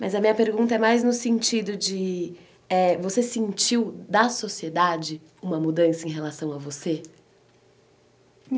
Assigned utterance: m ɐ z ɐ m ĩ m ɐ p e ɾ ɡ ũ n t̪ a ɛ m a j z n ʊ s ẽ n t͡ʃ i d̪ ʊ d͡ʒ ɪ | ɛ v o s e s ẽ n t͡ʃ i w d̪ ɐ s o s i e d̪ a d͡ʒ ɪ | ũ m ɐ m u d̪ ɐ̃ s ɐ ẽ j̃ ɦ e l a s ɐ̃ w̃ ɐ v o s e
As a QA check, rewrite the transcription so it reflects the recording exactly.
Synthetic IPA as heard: m ɐ z ɐ m ĩ ɲ ɐ p e ɾ ɡ ũ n t̪ ɐ ɛ m a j z n ʊ s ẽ n t͡ʃ i d̪ ʊ d͡ʒ ɪ | ɛ v o s e s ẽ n t͡ʃ i w d̪ ɐ s o s i e d̪ a d͡ʒ ɪ | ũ m ɐ m u d̪ ɐ̃ s ɐ ẽ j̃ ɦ e l a s ɐ̃ w̃ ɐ v o s e